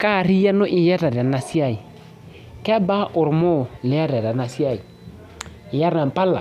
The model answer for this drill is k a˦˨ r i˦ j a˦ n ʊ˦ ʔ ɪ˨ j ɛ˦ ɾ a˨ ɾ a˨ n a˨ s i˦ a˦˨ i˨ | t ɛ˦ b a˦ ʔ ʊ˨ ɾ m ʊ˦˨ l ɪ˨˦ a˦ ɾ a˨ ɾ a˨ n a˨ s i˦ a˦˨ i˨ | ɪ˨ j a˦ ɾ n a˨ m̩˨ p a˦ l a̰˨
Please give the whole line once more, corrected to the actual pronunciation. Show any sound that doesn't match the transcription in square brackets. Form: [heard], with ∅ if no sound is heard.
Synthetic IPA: k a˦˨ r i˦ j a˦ n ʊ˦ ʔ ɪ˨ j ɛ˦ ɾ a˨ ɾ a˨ n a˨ s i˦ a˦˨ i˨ | [k] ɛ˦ b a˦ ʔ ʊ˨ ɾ m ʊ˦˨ l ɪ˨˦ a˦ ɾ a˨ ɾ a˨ n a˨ s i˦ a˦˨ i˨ | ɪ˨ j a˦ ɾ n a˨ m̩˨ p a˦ l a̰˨